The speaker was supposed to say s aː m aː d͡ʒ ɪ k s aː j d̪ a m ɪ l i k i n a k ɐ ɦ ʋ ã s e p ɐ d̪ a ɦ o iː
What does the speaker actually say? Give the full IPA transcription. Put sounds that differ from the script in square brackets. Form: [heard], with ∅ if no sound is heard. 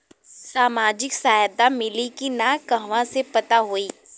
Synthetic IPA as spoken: s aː m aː d͡ʒ ɪ k s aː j d̪ a m ɪ l i k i n a k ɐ ɦ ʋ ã s e p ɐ [t̪] a ɦ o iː